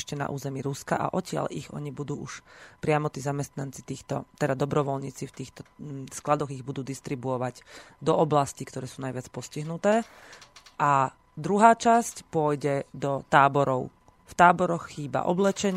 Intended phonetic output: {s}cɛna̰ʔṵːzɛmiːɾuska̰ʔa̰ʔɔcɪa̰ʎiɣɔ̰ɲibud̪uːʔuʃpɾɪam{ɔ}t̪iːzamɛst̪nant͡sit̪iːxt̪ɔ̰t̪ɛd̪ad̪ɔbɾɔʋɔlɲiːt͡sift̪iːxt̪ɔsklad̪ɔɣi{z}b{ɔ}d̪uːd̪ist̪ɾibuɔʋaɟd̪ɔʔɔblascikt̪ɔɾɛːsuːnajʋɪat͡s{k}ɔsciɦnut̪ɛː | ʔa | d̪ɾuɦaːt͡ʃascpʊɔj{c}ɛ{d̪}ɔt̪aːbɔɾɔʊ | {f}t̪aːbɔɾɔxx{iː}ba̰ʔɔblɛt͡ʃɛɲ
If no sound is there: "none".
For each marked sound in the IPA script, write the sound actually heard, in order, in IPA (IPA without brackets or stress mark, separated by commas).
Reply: ʃ, ɔ, ɣ, u, p, ɟ, d̪, f, iː